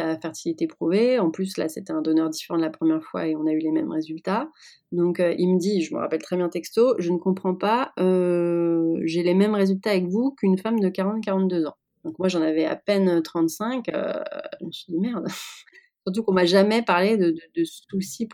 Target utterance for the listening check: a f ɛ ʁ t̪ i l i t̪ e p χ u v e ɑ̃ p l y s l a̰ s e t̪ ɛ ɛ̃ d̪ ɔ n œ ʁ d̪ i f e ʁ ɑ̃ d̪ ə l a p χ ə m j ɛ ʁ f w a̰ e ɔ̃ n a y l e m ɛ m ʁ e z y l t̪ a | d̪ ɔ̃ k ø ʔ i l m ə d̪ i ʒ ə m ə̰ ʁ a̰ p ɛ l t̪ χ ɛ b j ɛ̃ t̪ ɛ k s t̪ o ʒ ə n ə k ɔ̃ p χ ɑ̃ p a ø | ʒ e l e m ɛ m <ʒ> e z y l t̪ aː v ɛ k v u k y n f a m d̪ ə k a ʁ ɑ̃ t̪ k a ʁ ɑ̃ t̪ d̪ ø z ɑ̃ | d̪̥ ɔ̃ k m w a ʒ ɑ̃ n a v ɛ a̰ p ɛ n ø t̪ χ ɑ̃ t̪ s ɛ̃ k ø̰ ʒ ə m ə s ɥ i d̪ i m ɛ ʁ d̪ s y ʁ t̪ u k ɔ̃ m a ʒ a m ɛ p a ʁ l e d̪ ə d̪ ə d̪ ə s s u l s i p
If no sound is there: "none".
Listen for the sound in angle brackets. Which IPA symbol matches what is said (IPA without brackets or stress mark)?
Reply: ʁ